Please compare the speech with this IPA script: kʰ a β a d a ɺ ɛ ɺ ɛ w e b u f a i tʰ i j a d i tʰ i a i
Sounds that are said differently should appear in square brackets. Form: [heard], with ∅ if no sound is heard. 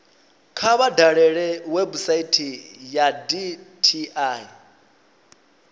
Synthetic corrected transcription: kʰ a β a d a ɺ ɛ ɺ ɛ w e b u [s] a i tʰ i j a d i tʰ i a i